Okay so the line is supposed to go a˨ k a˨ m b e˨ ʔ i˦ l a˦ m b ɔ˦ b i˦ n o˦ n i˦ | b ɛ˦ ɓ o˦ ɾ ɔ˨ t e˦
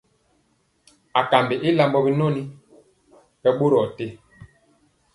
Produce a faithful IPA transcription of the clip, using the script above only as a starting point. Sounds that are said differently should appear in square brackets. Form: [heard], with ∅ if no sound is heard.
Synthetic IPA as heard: a˨ k a˨ m b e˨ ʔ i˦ l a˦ m b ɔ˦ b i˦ n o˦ n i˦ | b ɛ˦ ɓ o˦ ɾ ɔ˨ t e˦